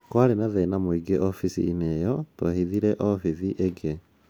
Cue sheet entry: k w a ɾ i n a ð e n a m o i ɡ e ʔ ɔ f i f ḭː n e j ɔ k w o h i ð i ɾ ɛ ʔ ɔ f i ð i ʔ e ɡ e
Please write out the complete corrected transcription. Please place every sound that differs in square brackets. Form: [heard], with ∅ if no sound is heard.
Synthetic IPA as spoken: k w a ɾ [e] n a ð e n a m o i ɡ e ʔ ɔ f i [s] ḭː n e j ɔ [t] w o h i ð i ɾ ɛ ʔ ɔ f i ð i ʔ e ɡ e